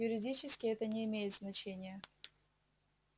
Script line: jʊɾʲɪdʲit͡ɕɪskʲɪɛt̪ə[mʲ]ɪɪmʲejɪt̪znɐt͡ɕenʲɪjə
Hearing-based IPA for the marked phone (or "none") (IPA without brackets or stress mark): nʲ